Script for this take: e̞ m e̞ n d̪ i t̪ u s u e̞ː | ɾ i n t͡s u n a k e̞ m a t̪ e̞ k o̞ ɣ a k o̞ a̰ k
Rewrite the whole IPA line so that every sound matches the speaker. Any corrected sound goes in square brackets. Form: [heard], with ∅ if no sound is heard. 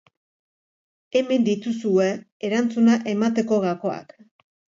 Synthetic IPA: e̞ m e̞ n d̪ i t̪ u s u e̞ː | ɾ [a] n t͡s u n a [ʔ] e̞ m a t̪ e̞ k o̞ ɣ a k o̞ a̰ k

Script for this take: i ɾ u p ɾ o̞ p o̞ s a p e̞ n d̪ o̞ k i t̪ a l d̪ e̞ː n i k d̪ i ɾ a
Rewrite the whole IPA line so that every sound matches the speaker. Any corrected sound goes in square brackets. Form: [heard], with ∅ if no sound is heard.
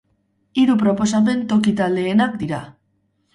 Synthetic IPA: i ɾ u p ɾ o̞ p o̞ s a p e̞ n [t̪] o̞ k i t̪ a l d̪ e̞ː n [a] k d̪ i ɾ a

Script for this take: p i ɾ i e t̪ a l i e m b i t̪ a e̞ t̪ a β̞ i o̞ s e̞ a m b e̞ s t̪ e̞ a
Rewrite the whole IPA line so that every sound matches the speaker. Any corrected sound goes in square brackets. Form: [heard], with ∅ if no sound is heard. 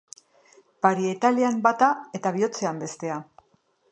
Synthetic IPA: p [a] ɾ i e t̪ a l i [a] m b [a] t̪ a e̞ t̪ a β̞ i o̞ [t͡s] e̞ a m b e̞ s t̪ e̞ a

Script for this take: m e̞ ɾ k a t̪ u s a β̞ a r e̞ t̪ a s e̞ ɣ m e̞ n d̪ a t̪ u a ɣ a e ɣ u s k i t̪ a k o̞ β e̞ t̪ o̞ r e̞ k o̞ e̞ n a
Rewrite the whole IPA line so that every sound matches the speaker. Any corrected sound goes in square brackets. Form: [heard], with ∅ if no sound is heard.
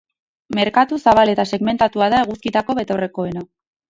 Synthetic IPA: m e̞ ɾ k a t̪ u s a β̞ a [l] e̞ t̪ a s e̞ ɣ m e̞ n [t̪] a t̪ u a [ð] a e ɣ u s k i t̪ a k o̞ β e̞ t̪ o̞ r e̞ k o̞ e̞ n a

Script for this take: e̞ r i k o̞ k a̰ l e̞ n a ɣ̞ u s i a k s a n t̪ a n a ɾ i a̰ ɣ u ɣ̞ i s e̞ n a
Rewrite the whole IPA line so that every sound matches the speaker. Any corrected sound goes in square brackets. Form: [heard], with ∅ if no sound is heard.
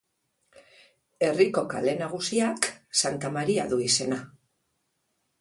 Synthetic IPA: e̞ r i k o̞ k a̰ l e̞ n a ɣ̞ u s i a k s a n t̪ a [m] a ɾ i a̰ [ð] u [∅] i s e̞ n a

